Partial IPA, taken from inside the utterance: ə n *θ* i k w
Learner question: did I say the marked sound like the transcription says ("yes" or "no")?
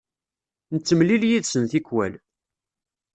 yes